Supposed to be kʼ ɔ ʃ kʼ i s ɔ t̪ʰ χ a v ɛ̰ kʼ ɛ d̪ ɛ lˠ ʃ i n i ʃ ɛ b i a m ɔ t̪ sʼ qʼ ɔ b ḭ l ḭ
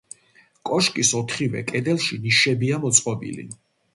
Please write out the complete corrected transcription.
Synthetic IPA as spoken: kʼ ɔ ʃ kʼ i s ɔ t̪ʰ χ i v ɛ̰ kʼ ɛ d̪ ɛ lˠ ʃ i n i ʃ ɛ b i a m ɔ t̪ sʼ qʼ ɔ b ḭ l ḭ

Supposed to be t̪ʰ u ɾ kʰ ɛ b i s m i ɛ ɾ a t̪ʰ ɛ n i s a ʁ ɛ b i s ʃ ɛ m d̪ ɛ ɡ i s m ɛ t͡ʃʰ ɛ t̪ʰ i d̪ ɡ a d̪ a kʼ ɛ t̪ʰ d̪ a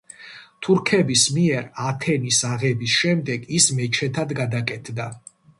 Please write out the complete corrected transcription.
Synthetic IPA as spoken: t̪ʰ u ɾ kʰ ɛ b i s m i ɛ ɾ a t̪ʰ ɛ n i s a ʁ ɛ b i s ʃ ɛ m d̪ ɛ ɡ i s m ɛ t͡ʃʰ ɛ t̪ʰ a d̪ ɡ a d̪ a kʼ ɛ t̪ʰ d̪ a

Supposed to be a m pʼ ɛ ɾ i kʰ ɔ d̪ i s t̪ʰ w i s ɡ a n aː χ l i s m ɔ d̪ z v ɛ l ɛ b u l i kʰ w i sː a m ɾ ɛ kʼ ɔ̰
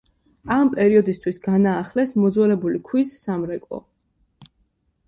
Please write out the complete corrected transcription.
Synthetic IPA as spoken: a m pʼ ɛ ɾ i ɔ d̪ i s t̪ʰ w i s ɡ a n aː χ l ɛ s m ɔ d̪ z w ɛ l ɛ b u l i kʰ w i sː a m ɾ ɛ kʼ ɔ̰

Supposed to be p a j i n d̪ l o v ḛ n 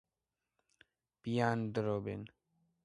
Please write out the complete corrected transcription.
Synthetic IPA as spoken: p i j a n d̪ ɾ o b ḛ n

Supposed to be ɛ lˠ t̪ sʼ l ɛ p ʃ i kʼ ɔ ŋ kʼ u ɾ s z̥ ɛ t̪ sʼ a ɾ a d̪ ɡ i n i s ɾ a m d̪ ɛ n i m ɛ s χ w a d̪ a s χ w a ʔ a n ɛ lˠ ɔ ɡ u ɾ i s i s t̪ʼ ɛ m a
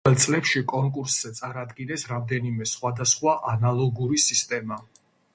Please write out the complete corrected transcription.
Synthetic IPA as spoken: ɛ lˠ t̪ sʼ l ɛ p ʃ i kʼ ɔ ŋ kʼ u ɾ s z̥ ɛ t̪ sʼ a ɾ a d̪ ɡ i n ɛ s ɾ a m d̪ ɛ n i m ɛ s χ w a d̪ a s χ w a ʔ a n a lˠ ɔ ɡ u ɾ i s i s t̪ʼ ɛ m a

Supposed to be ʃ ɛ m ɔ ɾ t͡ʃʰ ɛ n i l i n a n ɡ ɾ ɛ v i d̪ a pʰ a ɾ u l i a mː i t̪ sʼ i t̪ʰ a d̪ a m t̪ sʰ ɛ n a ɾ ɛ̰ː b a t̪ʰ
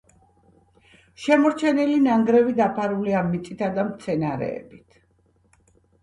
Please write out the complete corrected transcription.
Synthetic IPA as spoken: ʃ ɛ m ɔ ɾ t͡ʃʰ ɛ n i l i n a ŋ ɡ ɾ ɛ v i d̪ a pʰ a ɾ u l i a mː i t̪ sʼ i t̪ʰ a d̪ a m t̪ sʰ ɛ n a ɾ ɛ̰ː b i t̪ʰ

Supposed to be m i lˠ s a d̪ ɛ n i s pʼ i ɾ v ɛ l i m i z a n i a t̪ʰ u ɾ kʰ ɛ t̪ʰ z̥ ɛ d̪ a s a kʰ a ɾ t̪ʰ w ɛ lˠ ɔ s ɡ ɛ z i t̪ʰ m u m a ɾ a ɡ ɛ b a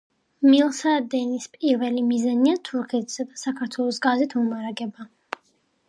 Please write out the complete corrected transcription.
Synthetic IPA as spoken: m i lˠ s a d̪ ɛ n i s pʼ i ɾ v ɛ l i m i z a n i a t̪ʰ u ɾ kʰ ɛ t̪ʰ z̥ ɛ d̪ a s a kʰ a ɾ t̪ʰ w ɛ lˠ ɔ s ɡ a z i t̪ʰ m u m a ɾ a ɡ ɛ b a

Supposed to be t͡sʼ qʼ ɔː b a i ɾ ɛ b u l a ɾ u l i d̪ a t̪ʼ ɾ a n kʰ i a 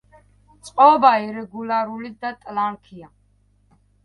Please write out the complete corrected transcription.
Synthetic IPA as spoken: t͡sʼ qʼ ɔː b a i ɾ ɛ ɡ u l a ɾ u l i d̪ a t̪ʼ l a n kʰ i a

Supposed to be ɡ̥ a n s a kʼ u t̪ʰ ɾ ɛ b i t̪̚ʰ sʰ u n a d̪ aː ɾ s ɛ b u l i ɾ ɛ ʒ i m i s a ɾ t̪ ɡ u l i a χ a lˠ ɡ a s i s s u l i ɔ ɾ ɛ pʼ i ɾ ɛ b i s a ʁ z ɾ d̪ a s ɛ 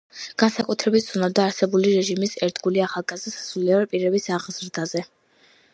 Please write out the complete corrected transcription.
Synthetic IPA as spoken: ɡ̥ a n s a kʼ u t̪ʰ ɾ ɛ b i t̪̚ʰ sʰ u n a d̪ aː ɾ s ɛ b u l i ɾ ɛ ʒ i m i s ɛ ɾ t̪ ɡ u l i a χ a lˠ ɡ a z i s s u l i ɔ ɾ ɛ pʼ i ɾ ɛ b i s a ʁ z ɾ d̪ a z ɛ

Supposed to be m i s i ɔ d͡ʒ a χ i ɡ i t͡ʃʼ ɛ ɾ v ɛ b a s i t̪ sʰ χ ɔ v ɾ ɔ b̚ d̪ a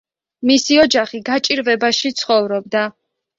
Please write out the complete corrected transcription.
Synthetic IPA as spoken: m i s i ɔ d͡ʒ a χ i ɡ a t͡ʃʼ i ɾ v ɛ b a ʃ i t̪ sʰ χ ɔ v ɾ ɔ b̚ d̪ a

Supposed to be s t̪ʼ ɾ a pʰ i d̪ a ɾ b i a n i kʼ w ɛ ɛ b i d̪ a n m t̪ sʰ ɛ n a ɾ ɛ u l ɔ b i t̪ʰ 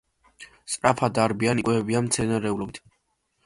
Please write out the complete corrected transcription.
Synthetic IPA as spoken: s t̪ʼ ɾ a pʰ a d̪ a ɾ b i a n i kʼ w ɛ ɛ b i a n m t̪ sʰ ɛ n a ɾ ɛ u l ɔ b i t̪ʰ

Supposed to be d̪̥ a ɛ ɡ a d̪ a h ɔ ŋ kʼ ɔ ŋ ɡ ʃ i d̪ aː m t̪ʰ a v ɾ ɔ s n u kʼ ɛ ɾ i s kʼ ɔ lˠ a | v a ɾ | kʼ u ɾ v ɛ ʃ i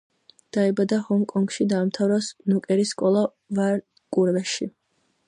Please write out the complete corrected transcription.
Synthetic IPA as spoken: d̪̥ a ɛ b a d̪ a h ɔ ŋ kʼ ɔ ŋ ɡ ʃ i d̪ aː m t̪ʰ a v ɾ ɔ s n u kʼ ɛ ɾ i s kʼ ɔ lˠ a | v a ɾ | kʼ u ɾ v ɛ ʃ i

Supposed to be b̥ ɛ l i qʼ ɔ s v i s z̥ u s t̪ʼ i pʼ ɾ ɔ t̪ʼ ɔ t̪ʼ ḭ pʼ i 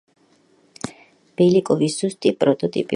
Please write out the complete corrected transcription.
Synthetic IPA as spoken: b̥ ɛ l i kʼ ɔ v i s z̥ u s t̪ʼ i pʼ ɾ ɔ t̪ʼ ɔ t̪ʼ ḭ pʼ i

